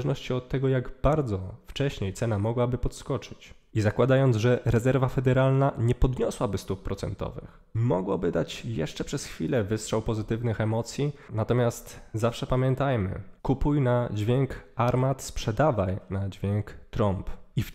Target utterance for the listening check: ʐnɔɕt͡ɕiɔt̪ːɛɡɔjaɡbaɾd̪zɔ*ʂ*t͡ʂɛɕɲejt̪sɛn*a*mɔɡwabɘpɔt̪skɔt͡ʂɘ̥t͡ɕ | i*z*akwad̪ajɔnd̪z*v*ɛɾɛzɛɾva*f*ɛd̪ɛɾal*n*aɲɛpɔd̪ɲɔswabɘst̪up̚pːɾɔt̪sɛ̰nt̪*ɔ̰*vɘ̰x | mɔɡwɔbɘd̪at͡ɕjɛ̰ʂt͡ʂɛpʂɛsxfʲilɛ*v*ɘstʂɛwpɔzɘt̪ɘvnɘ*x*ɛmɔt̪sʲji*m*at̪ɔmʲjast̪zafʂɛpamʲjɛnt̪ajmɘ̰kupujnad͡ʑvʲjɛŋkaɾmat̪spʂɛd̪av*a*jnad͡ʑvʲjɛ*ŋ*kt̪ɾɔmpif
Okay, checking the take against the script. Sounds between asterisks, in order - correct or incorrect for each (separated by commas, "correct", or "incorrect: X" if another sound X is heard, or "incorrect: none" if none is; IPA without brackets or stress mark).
incorrect: f, correct, correct, incorrect: ʐ, correct, correct, correct, correct, correct, incorrect: n, correct, correct